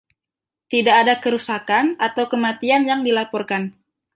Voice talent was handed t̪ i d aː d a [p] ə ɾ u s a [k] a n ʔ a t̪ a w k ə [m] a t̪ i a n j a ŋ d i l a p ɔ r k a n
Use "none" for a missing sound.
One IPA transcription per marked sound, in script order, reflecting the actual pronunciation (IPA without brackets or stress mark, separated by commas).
k, k, m